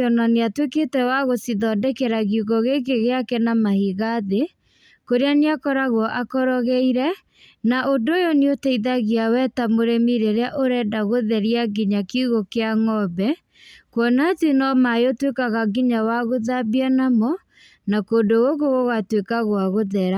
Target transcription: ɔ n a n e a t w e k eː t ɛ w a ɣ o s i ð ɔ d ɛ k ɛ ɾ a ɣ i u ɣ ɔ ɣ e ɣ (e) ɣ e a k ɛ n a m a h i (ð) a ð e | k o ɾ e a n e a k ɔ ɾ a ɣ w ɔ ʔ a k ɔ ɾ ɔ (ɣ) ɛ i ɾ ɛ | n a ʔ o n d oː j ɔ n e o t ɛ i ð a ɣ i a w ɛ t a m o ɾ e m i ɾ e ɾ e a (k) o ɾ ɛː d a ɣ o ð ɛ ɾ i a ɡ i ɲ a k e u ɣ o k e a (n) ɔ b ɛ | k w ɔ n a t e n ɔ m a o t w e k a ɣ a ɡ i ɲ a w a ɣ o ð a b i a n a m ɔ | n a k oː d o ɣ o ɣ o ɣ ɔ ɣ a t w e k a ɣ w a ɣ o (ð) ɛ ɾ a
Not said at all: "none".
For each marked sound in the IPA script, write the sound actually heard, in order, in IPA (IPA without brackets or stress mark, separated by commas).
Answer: e, ɣ, ɣ, ʔ, ŋ, ð